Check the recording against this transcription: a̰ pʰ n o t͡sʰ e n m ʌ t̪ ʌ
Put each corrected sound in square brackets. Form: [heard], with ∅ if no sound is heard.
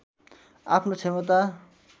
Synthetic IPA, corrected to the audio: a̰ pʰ n o t͡sʰ e [∅] m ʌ t̪ [a]